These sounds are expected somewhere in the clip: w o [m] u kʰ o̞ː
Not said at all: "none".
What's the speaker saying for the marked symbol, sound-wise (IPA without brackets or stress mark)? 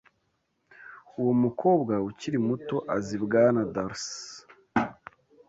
m